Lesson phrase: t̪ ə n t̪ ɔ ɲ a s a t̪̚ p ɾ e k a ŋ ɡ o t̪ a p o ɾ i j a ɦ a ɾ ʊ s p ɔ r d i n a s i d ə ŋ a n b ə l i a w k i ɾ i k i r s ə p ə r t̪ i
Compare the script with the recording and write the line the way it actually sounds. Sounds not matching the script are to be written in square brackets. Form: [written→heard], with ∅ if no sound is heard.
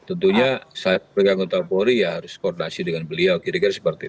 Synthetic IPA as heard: t̪ ə n t̪ [ɔ→u] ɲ a s a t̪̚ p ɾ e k a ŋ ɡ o t̪ a p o ɾ i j a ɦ a ɾ ʊ s [p→k] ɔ r d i n a s i d ə ŋ a n b ə l i a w k i ɾ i k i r s ə p ə r t̪ i